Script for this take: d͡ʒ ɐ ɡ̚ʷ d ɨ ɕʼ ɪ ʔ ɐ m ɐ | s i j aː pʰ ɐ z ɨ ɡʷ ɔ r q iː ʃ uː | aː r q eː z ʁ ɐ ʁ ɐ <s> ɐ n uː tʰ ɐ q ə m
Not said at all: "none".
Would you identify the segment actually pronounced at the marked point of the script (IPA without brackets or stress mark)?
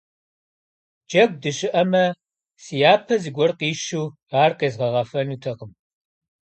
f